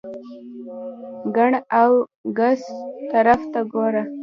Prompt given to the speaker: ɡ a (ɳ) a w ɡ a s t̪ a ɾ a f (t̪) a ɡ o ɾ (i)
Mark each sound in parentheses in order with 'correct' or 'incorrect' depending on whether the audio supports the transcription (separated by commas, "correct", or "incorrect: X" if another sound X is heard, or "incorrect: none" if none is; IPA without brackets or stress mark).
correct, correct, incorrect: a